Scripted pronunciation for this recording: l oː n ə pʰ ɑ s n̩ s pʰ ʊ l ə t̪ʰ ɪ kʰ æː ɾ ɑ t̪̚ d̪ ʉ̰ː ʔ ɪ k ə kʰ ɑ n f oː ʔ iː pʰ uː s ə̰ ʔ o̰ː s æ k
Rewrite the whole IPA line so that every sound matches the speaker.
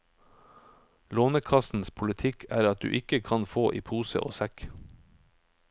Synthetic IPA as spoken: l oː n ə kʰ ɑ s n̩ s pʰ ʊ l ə t̪ʰ ɪ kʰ æː ɾ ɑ t̪̚ d̪ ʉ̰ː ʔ ɪ k ə kʰ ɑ n f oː ʔ iː pʰ uː s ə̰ ʔ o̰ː s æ k